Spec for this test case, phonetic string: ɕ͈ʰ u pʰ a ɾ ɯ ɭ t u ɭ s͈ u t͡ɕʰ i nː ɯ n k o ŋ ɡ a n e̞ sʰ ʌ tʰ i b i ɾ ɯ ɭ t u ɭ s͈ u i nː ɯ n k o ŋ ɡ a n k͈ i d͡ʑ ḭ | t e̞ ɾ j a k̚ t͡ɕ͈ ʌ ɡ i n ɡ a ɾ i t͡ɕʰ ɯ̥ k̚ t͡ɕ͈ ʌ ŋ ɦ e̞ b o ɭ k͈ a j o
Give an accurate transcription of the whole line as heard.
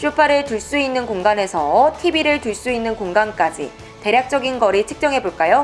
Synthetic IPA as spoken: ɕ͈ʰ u pʰ a ɾ ɯ ɭ t u ɭ s͈ u i nː ɯ n k o ŋ ɡ a n e̞ sʰ ʌ tʰ i b i ɾ ɯ ɭ t u ɭ s͈ u i nː ɯ n k o ŋ ɡ a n k͈ a d͡ʑ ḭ | t e̞ ɾ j a k̚ t͡ɕ͈ ʌ ɡ i n ɡ ʌ ɾ i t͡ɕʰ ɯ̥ k̚ t͡ɕ͈ ʌ ŋ ɦ e̞ b o ɭ k͈ a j o